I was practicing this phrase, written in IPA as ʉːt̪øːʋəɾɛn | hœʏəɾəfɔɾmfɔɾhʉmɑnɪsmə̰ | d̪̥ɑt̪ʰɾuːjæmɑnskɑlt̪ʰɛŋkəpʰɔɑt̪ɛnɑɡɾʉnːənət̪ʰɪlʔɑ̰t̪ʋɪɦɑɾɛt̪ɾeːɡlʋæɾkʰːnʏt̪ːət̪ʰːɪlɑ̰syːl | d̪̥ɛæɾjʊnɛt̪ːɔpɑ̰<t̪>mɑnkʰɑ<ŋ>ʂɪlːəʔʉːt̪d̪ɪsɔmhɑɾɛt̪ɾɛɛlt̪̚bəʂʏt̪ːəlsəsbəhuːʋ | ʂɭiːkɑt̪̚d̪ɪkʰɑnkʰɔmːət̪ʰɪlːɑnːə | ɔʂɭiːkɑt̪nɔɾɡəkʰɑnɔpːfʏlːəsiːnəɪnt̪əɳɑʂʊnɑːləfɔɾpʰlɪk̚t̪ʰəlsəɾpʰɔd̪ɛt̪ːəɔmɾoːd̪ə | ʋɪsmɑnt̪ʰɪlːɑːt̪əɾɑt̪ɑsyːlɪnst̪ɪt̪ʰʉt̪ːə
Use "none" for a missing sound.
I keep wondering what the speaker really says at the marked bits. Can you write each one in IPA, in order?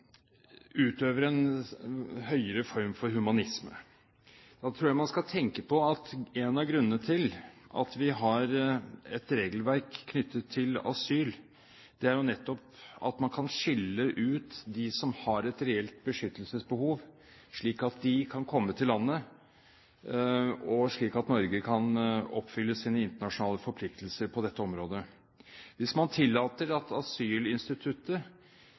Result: t̪, n

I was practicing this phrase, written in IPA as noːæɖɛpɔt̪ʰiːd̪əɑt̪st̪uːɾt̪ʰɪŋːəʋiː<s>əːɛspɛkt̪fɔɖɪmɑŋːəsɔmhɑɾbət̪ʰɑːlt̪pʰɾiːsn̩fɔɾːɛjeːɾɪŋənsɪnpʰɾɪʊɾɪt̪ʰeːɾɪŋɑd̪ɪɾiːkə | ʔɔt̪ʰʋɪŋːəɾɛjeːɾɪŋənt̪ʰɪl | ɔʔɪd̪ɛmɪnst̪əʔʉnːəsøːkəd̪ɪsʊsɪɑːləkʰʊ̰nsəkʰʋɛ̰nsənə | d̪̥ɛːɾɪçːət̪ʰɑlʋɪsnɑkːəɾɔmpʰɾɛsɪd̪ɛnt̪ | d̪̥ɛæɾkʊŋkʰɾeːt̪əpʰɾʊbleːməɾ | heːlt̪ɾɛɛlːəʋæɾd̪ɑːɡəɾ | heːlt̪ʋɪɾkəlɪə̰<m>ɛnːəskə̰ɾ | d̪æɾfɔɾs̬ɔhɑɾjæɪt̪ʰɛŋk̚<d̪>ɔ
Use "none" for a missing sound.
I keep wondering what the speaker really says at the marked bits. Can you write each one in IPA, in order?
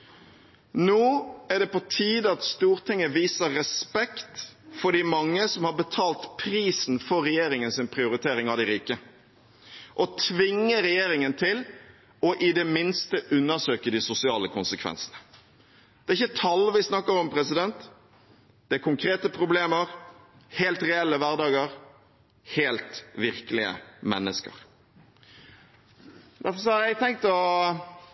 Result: s, m, t̪

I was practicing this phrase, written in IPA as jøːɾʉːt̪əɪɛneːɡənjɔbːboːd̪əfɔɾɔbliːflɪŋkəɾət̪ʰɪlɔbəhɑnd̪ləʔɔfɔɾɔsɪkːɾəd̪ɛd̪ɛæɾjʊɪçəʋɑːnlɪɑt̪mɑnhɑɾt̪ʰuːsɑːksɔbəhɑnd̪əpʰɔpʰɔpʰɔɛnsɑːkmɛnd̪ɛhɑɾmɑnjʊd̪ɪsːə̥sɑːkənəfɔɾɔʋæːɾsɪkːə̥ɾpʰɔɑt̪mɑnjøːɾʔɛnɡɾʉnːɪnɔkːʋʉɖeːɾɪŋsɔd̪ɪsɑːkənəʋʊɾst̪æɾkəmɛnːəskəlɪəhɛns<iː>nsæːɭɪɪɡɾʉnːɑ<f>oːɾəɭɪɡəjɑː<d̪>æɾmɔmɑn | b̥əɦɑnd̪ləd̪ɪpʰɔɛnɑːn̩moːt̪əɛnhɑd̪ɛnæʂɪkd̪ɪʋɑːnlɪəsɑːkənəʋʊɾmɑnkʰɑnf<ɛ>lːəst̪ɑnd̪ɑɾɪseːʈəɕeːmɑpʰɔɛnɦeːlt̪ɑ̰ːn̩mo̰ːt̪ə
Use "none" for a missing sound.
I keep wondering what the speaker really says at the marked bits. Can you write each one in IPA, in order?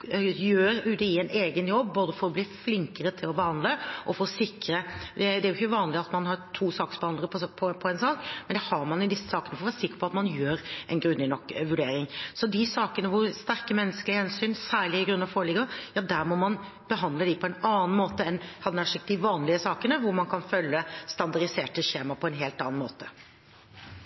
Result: yː, f, d̪, œ

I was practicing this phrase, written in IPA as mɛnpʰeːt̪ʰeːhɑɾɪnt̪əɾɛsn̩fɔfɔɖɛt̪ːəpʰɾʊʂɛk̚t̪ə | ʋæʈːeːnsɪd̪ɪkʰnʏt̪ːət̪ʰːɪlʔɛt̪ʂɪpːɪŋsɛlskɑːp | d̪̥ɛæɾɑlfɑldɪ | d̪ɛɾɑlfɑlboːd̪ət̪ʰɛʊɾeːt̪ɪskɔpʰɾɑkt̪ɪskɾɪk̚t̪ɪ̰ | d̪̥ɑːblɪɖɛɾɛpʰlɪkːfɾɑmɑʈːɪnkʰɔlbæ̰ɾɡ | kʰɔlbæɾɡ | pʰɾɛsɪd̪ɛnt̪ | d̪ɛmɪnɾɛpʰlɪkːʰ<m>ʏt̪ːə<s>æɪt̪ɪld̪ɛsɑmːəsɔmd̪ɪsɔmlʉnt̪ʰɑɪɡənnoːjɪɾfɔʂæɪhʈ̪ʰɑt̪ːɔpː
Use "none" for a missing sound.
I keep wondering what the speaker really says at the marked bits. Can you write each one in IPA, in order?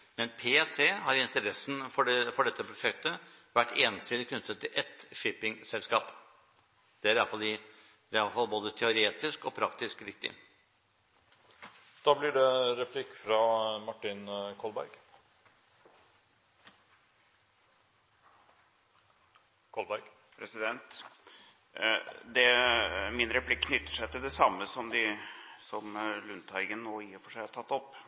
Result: n, ʂ

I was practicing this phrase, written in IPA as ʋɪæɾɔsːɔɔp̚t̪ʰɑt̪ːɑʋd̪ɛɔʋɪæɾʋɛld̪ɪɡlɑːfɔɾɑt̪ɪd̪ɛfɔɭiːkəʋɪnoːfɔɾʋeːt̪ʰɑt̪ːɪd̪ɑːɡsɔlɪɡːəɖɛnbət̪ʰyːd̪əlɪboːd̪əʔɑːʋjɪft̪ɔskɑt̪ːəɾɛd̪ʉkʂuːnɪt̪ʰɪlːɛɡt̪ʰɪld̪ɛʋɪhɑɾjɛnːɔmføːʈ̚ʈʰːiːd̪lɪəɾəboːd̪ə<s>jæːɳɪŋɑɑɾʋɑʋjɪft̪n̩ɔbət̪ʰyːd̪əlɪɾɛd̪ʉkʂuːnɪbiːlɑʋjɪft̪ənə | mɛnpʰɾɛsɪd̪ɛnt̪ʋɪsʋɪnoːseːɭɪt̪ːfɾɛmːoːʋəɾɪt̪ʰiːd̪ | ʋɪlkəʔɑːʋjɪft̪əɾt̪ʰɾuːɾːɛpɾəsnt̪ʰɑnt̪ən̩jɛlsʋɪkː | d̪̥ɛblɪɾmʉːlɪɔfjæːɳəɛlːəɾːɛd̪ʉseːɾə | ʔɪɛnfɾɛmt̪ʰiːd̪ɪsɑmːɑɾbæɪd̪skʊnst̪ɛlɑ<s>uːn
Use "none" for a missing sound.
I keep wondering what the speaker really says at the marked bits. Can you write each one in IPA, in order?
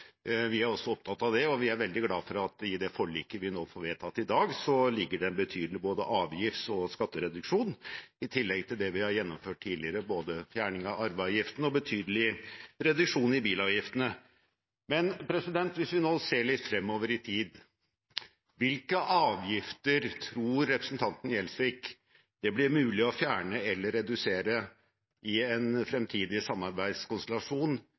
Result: f, ʂ

